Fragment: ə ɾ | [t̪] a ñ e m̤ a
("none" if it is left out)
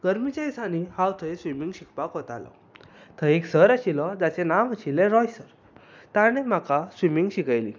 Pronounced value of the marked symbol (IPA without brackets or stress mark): t̪